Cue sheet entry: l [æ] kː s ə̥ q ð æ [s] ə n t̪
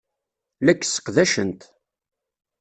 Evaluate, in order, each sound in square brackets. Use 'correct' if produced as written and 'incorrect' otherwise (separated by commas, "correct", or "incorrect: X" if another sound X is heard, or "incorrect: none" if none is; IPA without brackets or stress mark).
correct, incorrect: ʃ